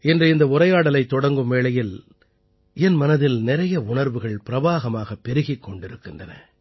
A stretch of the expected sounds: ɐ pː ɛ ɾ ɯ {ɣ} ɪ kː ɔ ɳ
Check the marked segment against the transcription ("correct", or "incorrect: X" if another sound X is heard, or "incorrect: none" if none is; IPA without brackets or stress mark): correct